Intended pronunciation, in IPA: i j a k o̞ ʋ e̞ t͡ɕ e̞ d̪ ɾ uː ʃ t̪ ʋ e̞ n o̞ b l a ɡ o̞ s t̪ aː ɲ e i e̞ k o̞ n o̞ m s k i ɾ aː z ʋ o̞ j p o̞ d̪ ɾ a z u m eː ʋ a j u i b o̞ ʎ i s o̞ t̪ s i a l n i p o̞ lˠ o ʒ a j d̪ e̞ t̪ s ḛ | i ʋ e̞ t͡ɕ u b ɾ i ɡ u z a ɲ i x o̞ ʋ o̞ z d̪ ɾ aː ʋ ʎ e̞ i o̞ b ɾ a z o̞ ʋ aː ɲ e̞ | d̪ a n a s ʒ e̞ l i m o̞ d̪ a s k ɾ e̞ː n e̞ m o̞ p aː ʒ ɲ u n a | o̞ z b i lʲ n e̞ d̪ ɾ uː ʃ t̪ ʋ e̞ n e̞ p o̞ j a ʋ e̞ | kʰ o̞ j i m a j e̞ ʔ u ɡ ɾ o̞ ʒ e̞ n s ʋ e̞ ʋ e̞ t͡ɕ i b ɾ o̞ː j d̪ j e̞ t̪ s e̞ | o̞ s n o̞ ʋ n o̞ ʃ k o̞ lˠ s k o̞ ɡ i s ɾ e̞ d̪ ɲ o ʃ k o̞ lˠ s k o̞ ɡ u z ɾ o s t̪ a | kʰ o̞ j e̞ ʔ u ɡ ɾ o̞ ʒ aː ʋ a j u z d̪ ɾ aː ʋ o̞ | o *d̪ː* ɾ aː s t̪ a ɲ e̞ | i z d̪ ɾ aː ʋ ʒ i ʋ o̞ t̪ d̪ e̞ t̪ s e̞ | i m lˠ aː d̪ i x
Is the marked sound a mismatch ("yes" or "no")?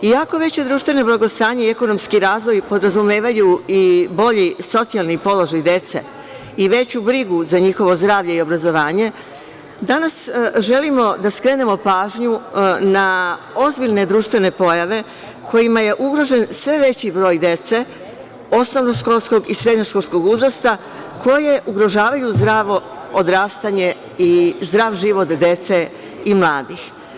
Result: yes